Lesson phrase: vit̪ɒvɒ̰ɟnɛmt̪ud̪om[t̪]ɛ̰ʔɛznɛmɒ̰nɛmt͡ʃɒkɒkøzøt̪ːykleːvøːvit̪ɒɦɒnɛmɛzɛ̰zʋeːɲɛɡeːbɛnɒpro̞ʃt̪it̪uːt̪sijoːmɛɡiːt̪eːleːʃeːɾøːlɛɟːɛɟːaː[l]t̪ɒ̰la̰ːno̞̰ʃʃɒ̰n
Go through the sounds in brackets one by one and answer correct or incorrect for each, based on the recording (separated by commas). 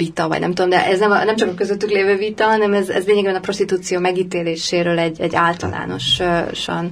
incorrect, correct